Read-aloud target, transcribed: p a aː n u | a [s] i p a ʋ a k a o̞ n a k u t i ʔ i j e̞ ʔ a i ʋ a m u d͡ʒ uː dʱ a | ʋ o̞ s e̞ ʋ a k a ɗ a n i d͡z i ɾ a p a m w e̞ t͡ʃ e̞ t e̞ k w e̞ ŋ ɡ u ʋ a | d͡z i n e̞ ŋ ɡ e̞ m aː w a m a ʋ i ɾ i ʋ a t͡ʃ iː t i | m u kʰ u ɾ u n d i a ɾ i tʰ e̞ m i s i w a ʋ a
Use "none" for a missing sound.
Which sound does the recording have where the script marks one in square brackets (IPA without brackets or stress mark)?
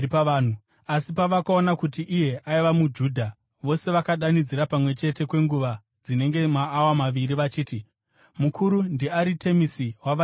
s